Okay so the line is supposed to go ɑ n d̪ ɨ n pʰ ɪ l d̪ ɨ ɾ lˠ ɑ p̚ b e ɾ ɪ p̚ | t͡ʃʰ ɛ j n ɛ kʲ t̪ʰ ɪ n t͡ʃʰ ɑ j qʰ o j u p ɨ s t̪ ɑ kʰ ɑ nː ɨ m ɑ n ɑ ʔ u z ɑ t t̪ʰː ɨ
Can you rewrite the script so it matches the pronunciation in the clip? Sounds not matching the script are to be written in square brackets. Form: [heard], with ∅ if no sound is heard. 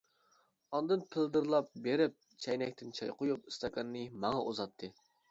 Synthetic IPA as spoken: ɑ n d̪ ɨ n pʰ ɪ l d̪ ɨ ɾ lˠ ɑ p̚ b e ɾ ɪ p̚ | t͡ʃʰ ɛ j n ɛ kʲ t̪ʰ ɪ n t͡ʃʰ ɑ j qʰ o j u p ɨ s t̪ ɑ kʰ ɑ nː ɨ m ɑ [ŋ] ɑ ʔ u z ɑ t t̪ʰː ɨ